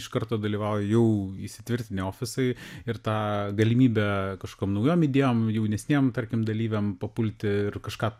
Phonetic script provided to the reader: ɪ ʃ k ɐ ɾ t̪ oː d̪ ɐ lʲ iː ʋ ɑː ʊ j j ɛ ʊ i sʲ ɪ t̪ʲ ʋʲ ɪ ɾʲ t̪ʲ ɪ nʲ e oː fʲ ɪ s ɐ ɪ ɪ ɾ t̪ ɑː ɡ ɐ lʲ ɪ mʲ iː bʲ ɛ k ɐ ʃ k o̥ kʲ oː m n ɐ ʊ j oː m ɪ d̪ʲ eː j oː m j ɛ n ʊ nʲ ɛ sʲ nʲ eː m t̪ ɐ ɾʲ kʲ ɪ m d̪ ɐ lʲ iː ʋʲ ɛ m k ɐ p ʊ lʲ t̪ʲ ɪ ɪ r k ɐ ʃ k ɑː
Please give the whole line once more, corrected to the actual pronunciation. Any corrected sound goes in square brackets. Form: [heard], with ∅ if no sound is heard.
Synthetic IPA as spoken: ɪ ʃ k ɐ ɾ t̪ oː d̪ ɐ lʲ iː ʋ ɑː ʊ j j ɛ ʊ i sʲ ɪ t̪ʲ ʋʲ ɪ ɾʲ t̪ʲ ɪ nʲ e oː fʲ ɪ s ɐ ɪ ɪ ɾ t̪ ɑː ɡ ɐ lʲ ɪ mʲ iː bʲ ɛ k ɐ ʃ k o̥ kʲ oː m n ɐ ʊ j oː m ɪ d̪ʲ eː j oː m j ɛ [∅] ʊ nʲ ɛ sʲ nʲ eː m t̪ ɐ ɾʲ kʲ ɪ m d̪ ɐ lʲ iː ʋʲ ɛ m [p] ɐ p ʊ lʲ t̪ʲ ɪ ɪ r k ɐ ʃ k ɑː